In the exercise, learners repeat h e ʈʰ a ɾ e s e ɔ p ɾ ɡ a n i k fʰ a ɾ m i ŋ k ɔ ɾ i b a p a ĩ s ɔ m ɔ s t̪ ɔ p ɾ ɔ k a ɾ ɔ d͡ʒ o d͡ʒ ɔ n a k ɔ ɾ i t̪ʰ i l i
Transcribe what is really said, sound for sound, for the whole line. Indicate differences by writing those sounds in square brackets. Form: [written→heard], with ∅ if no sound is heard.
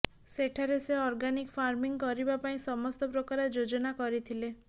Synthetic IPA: [h→s] e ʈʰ a ɾ e s e ɔ [p→∅] ɾ ɡ a n i k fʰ a ɾ m i ŋ k ɔ ɾ i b a p a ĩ s ɔ m ɔ s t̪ ɔ p ɾ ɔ k a ɾ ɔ d͡ʒ o d͡ʒ ɔ n a k ɔ ɾ i t̪ʰ i l [i→e]